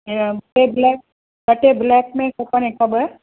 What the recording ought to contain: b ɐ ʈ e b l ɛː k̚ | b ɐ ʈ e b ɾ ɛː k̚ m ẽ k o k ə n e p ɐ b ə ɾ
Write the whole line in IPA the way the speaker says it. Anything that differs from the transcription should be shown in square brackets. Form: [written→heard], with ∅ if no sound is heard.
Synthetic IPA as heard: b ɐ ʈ e b l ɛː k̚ | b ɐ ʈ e b [ɾ→l] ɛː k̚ m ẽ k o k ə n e [p→k] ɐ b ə ɾ